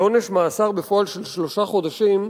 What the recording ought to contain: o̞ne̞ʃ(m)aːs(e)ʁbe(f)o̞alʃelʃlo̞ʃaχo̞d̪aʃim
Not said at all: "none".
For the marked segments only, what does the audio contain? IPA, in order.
m, a, f

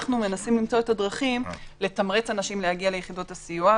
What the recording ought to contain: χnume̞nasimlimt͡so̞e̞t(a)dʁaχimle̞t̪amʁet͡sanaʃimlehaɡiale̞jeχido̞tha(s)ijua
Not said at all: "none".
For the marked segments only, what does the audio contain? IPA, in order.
a, s

